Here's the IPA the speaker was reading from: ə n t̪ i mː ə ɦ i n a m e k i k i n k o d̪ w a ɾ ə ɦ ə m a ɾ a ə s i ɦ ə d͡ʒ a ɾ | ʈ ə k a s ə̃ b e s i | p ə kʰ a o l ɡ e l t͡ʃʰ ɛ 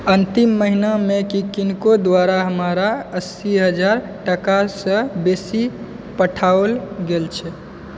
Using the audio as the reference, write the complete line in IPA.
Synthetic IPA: ə n t̪ i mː ə ɦ i n a m e k i k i n k o d̪ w a ɾ a ɦ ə m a ɾ a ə s i ɦ ə d͡ʒ a ɾ | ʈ ə k a s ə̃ b e s i | p ə ʈʰ a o l ɡ e l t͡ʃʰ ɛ